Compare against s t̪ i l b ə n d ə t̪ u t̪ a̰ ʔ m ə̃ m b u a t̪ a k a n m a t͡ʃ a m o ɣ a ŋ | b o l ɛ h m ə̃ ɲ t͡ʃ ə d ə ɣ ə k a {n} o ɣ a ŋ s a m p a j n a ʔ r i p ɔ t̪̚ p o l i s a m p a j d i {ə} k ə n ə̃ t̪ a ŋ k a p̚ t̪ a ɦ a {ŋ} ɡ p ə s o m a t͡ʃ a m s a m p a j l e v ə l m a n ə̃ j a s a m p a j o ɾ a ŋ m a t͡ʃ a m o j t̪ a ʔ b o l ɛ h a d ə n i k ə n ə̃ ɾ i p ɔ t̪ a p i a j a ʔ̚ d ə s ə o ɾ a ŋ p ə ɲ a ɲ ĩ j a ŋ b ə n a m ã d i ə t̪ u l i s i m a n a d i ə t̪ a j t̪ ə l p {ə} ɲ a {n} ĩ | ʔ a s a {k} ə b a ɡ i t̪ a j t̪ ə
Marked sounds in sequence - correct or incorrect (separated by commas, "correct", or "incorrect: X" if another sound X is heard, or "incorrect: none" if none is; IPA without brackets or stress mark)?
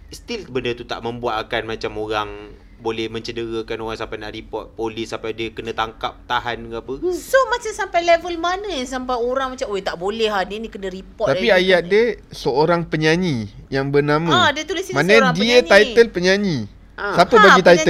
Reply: correct, correct, incorrect: n, correct, incorrect: ɲ, incorrect: p